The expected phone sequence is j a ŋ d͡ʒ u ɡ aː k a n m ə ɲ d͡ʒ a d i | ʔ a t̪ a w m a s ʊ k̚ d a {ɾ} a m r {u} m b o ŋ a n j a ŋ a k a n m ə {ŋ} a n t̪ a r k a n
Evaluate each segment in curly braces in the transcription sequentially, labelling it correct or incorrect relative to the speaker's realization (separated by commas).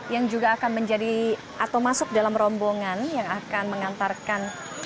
incorrect, incorrect, correct